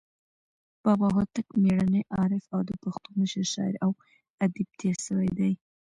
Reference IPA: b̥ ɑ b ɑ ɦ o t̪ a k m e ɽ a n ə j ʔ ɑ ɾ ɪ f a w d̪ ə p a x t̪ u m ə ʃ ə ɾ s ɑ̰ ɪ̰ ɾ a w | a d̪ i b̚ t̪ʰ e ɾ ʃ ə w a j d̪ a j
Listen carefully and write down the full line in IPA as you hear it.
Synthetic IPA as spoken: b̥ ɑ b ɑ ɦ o t̪ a k m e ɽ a n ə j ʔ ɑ ɾ ɪ f a w d̪ ə p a x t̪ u m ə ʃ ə ɾ ʃ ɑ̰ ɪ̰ ɾ a w | a d̪ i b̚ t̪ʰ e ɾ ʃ ə w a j d̪ a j